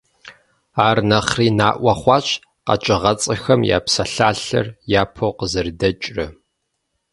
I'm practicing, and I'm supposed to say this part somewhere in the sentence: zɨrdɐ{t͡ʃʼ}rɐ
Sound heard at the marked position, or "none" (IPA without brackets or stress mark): t͡ʃʼ